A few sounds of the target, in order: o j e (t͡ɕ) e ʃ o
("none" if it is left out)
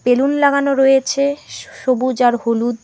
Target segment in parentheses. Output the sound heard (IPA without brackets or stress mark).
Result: t͡ɕʰ